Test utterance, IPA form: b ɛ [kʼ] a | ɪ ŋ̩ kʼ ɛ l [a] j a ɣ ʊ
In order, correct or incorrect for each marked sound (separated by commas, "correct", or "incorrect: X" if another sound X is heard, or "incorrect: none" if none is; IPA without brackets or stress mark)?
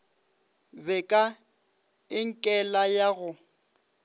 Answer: correct, correct